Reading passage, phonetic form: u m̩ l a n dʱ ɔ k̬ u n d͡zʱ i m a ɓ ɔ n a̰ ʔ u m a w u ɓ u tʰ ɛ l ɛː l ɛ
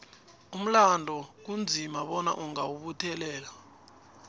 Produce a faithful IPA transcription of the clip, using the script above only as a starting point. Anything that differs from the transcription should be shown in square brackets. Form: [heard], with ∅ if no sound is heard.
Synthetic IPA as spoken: u m̩ l a n dʱ ɔ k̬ u n d͡zʱ i m a ɓ ɔ n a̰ ʔ u [ŋ] a w u ɓ u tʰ ɛ l ɛː l [a]